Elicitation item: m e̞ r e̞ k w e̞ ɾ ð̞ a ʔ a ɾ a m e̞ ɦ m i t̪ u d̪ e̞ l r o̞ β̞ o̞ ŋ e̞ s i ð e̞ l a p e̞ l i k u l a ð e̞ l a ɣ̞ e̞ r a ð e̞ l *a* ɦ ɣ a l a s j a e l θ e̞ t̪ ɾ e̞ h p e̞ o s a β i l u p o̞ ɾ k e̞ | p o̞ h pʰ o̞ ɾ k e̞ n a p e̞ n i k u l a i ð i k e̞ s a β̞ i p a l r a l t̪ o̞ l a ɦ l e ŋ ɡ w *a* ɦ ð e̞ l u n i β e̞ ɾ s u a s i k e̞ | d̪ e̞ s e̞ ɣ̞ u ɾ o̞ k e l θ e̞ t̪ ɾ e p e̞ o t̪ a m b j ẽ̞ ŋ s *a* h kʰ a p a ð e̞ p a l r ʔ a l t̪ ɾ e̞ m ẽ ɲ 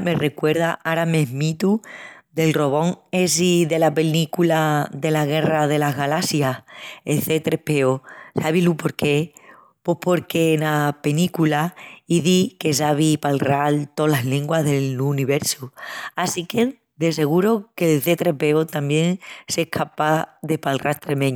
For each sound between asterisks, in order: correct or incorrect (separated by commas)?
correct, correct, incorrect